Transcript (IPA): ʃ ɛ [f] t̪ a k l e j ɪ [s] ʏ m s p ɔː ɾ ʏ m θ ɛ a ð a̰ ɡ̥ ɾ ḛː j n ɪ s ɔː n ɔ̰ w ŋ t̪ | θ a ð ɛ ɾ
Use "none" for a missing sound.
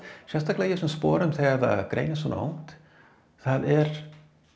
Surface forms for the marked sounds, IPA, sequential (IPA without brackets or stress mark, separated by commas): s, s